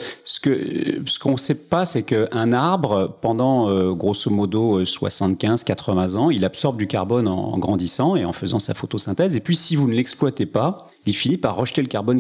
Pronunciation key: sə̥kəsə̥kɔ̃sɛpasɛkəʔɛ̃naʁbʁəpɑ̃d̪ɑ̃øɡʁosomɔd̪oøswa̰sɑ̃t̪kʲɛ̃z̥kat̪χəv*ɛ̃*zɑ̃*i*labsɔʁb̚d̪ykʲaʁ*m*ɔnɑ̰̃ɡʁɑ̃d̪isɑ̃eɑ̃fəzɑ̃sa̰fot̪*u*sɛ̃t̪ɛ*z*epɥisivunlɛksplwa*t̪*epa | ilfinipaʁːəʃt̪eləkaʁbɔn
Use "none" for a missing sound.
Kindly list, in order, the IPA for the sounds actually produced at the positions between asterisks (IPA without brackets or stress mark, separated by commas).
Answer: ɛ̃, i, b, o, z, t̪